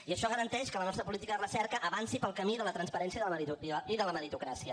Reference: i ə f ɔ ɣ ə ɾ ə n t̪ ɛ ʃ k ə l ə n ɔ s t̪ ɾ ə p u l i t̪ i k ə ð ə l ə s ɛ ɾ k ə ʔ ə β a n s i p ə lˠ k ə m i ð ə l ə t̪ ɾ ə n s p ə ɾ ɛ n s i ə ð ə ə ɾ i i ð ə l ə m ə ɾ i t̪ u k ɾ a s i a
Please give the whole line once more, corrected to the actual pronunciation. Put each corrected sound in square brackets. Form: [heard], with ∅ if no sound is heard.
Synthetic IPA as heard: i ə [ʃ] ɔ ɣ ə ɾ ə n t̪ ɛ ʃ k ə l ə n ɔ s t̪ ɾ ə p u l i t̪ i k ə ð ə [r] ə s ɛ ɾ k ə ʔ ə β a n s i p ə lˠ k ə m i ð ə l ə t̪ ɾ ə n s p ə ɾ ɛ n s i ə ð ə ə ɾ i i ð ə l ə m ə ɾ i t̪ u k ɾ a s i [ə]